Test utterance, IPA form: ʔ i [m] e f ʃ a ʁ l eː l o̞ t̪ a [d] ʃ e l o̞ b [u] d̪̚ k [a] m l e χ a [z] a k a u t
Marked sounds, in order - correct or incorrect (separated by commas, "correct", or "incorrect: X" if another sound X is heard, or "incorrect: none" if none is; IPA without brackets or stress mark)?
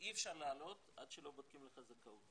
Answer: incorrect: none, correct, incorrect: o, incorrect: i, correct